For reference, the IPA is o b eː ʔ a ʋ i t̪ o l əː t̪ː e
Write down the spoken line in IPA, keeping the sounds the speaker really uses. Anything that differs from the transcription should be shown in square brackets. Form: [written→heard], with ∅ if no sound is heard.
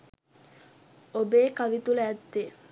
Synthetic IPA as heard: o b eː [ʔ→k] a ʋ i t̪ [o→u] l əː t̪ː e